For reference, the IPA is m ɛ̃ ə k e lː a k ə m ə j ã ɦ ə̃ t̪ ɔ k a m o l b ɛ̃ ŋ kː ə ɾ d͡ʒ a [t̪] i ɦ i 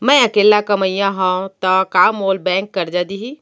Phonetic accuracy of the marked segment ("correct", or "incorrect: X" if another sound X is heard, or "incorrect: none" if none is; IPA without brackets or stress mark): incorrect: d̪